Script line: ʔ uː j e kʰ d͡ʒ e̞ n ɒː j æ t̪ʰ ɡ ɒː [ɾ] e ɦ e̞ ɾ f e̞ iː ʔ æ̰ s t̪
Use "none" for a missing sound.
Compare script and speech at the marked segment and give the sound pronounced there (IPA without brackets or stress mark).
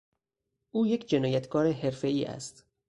ɾ